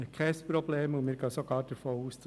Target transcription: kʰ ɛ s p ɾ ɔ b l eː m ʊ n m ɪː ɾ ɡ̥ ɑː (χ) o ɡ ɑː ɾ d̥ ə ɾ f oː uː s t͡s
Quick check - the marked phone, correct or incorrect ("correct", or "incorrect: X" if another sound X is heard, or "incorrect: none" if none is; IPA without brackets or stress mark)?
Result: incorrect: s